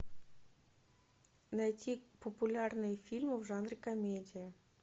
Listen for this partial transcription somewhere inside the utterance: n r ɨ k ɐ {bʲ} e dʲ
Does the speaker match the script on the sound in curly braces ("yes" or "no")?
no